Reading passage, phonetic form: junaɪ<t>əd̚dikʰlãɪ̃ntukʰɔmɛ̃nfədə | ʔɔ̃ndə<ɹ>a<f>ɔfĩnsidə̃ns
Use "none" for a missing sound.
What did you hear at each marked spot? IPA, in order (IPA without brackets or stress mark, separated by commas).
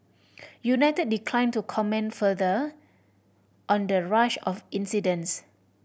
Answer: t, ɹ, ʃ